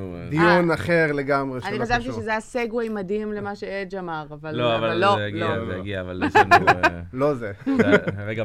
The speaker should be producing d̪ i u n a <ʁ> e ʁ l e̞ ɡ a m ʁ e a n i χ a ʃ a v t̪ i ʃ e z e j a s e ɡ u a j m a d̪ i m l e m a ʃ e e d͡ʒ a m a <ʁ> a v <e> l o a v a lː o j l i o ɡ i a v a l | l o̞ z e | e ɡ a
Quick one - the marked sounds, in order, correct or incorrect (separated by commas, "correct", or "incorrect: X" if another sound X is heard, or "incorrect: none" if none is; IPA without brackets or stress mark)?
incorrect: χ, correct, incorrect: a